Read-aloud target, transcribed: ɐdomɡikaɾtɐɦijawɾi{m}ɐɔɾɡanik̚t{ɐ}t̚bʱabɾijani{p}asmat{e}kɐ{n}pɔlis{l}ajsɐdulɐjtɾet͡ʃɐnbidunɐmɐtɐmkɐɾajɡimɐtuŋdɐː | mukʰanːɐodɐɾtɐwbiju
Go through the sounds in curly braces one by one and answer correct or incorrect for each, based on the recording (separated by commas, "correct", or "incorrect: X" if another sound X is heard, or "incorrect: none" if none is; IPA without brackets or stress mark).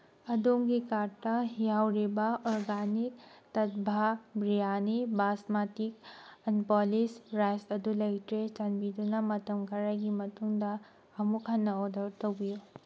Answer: incorrect: b, correct, incorrect: b, incorrect: i, correct, incorrect: ɾ